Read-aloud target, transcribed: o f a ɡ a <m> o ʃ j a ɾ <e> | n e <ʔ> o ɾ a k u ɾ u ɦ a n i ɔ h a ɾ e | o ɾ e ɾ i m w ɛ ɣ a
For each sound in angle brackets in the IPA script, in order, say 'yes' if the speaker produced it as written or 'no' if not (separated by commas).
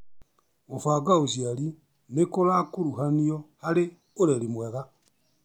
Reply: no, no, no